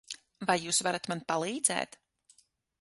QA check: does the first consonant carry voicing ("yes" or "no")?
yes